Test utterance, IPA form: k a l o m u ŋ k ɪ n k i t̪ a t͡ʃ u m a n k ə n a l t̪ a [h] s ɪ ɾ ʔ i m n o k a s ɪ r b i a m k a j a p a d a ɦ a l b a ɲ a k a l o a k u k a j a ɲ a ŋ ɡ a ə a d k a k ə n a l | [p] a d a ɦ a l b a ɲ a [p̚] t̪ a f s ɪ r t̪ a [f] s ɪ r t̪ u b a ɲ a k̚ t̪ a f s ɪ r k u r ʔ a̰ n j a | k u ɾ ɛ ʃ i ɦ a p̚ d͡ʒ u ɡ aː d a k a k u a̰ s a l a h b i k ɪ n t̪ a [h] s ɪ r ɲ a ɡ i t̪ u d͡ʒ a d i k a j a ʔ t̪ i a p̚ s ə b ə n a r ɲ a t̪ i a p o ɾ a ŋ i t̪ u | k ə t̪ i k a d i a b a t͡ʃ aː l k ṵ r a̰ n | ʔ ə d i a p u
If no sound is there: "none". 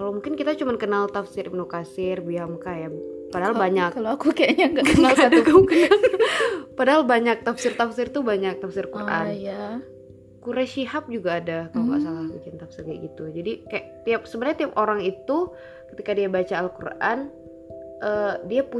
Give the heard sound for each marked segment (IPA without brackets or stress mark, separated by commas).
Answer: f, p, k̚, f, f